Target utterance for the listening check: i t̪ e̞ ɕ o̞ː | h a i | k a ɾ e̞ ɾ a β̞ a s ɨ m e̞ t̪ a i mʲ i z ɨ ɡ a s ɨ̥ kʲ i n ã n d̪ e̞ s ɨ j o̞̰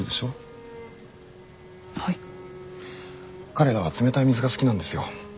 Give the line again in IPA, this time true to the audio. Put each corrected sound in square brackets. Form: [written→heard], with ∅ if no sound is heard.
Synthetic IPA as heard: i [t̪→d̪] e̞ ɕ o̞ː | h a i | k a ɾ e̞ ɾ a β̞ a [s→t͡s] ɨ m e̞ t̪ a i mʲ i z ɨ ɡ a s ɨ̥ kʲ i n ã n d̪ e̞ s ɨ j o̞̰